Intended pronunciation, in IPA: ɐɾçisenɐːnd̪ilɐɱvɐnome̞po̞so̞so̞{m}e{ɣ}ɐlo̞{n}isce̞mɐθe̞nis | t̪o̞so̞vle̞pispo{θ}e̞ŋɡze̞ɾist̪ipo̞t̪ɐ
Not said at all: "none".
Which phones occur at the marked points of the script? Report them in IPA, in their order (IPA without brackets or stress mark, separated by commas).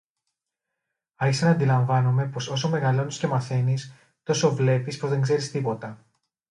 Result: m, ɣ, n, ð